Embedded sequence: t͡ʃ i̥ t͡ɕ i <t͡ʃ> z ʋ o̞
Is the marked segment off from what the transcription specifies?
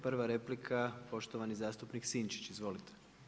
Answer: yes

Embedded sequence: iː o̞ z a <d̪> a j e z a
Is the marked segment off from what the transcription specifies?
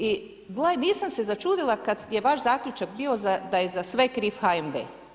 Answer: no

